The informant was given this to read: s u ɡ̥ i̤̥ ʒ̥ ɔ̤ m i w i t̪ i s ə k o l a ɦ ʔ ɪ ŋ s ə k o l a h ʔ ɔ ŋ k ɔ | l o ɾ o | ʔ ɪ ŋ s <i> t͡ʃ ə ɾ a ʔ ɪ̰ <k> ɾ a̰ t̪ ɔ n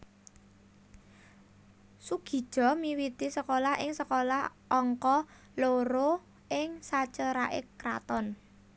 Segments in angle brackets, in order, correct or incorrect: incorrect, correct

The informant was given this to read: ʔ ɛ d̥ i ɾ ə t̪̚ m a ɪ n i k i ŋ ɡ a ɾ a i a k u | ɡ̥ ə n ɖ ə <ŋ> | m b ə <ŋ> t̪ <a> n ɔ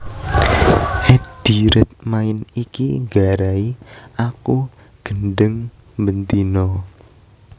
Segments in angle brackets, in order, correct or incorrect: correct, incorrect, incorrect

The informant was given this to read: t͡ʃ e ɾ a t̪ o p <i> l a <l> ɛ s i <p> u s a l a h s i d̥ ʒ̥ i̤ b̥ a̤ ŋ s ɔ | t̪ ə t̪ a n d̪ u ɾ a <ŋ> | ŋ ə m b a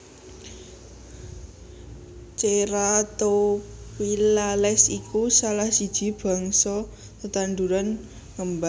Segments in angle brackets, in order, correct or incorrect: correct, correct, incorrect, incorrect

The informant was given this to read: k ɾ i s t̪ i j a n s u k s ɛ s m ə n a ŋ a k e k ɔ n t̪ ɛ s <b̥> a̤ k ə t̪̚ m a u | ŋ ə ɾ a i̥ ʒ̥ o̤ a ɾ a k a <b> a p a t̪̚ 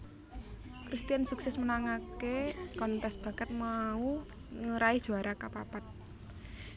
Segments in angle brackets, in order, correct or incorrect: correct, incorrect

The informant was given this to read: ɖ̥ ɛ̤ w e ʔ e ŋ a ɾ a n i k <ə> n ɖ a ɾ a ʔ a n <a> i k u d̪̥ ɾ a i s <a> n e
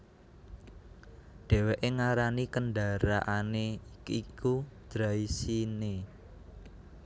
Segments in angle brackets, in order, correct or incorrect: correct, incorrect, incorrect

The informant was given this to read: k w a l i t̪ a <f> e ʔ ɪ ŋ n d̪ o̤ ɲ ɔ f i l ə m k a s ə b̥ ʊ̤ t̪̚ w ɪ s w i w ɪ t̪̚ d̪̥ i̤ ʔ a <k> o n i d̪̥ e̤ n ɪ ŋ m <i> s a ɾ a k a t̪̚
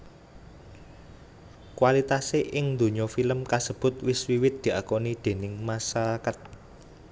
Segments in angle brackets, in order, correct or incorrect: incorrect, correct, incorrect

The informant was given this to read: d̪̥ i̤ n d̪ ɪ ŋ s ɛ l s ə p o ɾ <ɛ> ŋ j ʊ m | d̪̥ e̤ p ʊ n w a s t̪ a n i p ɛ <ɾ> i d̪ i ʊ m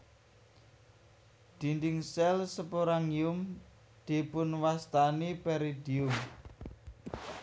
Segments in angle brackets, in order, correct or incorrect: incorrect, correct

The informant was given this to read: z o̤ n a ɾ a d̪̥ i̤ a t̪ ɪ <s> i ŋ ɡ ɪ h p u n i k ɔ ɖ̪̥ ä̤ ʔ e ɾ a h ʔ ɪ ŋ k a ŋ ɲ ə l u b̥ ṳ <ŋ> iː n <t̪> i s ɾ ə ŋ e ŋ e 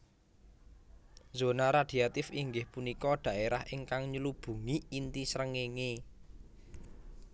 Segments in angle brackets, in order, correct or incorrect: incorrect, correct, correct

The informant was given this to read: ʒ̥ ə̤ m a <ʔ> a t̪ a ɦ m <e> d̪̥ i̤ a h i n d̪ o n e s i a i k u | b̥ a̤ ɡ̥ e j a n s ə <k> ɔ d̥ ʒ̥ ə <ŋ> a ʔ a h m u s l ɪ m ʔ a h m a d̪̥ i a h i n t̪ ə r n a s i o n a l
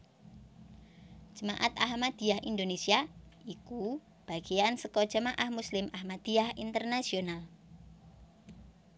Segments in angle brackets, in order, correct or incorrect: correct, incorrect, correct, incorrect

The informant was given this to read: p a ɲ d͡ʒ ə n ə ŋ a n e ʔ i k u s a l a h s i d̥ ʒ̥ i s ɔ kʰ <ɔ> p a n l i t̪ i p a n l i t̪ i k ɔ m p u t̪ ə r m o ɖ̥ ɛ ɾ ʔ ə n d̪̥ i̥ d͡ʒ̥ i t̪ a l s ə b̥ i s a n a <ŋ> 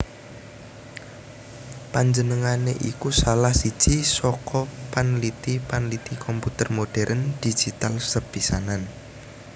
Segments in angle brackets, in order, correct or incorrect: correct, incorrect

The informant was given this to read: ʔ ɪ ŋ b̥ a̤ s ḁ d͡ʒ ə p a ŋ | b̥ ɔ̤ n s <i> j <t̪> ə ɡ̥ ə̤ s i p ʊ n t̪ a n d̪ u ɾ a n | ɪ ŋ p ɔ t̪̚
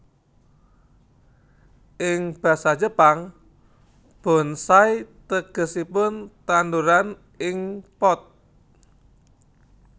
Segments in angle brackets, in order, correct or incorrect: incorrect, correct

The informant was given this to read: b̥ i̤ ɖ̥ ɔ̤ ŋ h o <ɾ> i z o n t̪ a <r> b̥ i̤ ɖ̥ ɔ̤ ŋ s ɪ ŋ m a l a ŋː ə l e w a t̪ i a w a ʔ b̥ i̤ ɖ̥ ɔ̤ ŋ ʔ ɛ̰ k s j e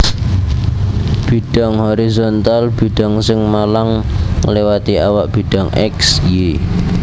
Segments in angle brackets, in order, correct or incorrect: correct, incorrect

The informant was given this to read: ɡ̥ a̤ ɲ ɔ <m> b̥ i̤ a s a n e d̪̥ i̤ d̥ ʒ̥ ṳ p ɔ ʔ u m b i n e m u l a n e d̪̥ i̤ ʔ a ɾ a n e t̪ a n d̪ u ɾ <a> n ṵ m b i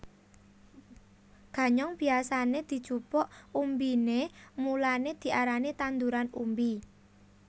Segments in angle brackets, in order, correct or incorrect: incorrect, correct

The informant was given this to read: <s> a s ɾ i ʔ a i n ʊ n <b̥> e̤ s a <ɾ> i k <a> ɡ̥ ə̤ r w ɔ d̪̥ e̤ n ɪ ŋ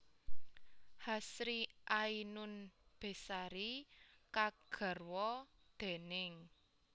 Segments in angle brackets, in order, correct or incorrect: incorrect, correct, correct, correct

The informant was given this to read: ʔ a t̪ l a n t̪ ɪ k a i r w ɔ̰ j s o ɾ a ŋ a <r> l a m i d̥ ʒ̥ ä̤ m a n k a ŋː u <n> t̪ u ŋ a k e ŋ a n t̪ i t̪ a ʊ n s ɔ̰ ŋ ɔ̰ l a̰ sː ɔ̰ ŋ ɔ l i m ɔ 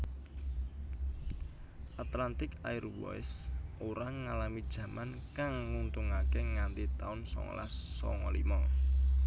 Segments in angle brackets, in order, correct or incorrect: incorrect, correct

